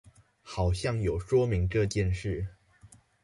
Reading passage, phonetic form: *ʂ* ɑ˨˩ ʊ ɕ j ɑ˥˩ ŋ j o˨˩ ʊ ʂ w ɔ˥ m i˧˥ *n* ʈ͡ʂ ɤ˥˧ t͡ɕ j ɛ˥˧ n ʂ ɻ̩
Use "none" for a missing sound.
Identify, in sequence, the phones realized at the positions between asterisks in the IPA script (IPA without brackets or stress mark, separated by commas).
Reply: x, ŋ